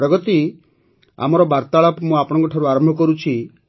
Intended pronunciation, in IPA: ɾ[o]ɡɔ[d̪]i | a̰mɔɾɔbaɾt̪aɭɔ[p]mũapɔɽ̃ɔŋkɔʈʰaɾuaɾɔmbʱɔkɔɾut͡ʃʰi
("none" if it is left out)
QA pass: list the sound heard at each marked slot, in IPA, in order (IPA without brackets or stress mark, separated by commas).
ɔ, t̪, p